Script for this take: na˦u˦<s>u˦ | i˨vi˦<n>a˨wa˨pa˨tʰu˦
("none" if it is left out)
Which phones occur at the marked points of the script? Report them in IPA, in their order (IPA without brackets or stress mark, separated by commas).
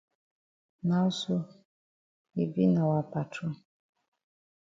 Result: s, n